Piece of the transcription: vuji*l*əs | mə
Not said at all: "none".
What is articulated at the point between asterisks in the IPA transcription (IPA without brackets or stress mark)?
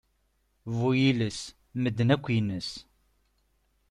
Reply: l